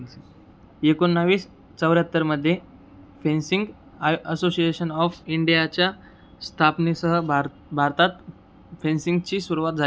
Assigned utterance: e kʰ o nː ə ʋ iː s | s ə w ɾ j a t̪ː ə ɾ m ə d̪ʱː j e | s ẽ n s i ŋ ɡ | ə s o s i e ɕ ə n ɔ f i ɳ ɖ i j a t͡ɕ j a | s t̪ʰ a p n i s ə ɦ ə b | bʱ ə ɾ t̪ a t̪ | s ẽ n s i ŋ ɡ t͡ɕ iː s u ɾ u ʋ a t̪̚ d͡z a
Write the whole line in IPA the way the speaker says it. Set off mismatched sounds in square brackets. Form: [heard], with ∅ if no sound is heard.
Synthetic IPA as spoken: e [k] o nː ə ʋ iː s | [t͡s] ə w ɾ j a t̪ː ə ɾ m ə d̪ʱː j e | [f] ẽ n s i ŋ ɡ | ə s o s i e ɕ ə n ɔ f i ɳ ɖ i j a t͡ɕ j a | s t̪ʰ a p n i s ə ɦ ə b | bʱ [a] ɾ t̪ a t̪ | [f] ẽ n s i ŋ ɡ t͡ɕ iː s u ɾ u ʋ a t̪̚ d͡z a